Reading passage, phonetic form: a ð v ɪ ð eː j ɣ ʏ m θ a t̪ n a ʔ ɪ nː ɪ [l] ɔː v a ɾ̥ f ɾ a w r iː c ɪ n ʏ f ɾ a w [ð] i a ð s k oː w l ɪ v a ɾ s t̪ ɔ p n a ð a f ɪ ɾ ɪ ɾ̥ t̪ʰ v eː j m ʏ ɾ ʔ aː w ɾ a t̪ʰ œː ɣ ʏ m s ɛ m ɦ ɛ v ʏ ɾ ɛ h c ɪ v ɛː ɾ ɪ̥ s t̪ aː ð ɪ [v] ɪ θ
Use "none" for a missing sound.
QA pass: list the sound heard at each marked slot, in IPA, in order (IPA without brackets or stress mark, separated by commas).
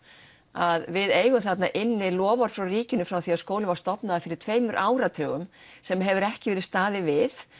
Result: l, θ, v